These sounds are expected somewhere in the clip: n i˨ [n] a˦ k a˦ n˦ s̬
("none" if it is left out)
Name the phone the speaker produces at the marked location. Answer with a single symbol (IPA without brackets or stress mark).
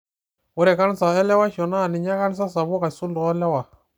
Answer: ɲ